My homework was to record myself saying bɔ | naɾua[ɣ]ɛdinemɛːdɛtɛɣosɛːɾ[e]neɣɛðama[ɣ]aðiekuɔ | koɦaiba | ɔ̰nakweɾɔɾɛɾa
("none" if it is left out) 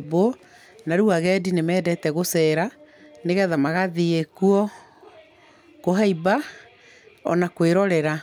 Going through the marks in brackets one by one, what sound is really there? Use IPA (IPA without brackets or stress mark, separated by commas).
ɣ, a, ɣ